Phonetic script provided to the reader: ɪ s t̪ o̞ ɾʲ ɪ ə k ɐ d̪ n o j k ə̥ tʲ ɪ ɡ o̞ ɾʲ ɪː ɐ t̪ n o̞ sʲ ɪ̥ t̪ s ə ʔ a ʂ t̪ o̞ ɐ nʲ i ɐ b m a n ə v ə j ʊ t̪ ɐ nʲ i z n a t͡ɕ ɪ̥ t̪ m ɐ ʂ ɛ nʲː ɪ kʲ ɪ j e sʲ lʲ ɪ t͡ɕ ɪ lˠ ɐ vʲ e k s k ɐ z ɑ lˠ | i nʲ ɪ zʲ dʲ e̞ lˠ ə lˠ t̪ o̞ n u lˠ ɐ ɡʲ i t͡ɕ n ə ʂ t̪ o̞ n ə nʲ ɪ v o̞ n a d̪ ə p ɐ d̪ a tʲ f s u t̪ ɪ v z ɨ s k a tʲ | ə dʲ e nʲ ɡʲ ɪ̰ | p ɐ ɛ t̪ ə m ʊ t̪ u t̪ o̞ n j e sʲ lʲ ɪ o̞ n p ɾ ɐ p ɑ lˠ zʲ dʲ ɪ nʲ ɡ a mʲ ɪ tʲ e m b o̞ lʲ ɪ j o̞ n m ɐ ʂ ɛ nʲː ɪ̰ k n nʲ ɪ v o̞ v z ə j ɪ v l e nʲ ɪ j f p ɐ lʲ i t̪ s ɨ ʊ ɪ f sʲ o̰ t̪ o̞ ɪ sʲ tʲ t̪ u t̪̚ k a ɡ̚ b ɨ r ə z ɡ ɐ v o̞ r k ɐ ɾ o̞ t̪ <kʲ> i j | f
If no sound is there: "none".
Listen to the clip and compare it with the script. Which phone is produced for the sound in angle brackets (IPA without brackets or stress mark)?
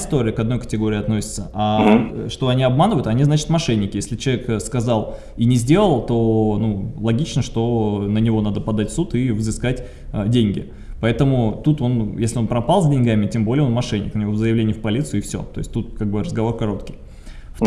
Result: kʲ